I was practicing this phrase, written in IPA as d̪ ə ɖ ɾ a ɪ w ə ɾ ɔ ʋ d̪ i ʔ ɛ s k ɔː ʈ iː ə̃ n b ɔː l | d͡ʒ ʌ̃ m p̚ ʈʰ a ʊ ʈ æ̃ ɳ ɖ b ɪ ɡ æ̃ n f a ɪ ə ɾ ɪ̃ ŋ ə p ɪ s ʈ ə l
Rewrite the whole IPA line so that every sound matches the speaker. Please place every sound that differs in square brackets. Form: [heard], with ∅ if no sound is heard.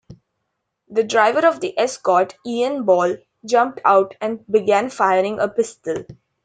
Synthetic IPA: d̪ ə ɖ ɾ a ɪ [ʋ] ə ɾ ɔ ʋ d̪ i ʔ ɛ s k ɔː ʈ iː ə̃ n b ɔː l | d͡ʒ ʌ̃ m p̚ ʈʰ a ʊ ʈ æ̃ ɳ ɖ b ɪ ɡ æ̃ n f a ɪ ə ɾ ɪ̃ ŋ ə p ɪ s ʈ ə l